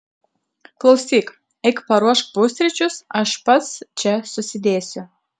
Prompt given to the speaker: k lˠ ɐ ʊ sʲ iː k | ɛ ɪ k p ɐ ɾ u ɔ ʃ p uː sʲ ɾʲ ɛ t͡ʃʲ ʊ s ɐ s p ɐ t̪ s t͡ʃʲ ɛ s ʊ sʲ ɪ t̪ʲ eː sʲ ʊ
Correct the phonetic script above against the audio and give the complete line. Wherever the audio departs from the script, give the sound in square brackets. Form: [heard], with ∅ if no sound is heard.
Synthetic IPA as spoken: k lˠ ɐ ʊ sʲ iː k | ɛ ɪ k p ɐ ɾ u ɔ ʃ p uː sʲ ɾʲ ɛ t͡ʃʲ ʊ s ɐ [ʃ] p ɐ t̪ s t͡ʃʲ ɛ s ʊ sʲ ɪ [d̪ʲ] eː sʲ ʊ